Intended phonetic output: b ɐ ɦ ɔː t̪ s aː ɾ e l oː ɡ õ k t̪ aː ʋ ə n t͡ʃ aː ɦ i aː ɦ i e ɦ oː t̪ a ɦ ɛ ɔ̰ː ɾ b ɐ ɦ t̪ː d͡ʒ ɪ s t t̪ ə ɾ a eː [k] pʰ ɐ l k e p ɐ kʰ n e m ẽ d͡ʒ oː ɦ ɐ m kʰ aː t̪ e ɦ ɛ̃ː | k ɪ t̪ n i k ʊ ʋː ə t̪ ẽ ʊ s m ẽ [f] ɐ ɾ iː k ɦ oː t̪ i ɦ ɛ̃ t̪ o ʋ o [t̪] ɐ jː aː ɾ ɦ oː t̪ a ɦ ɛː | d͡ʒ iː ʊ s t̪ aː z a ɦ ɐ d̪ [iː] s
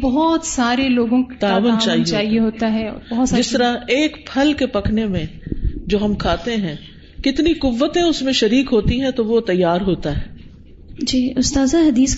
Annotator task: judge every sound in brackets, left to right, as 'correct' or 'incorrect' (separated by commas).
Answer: correct, incorrect, correct, correct